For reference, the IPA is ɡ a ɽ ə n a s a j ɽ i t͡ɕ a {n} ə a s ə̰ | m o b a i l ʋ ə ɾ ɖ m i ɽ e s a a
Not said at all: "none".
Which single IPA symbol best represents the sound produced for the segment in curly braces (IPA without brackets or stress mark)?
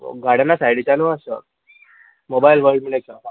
n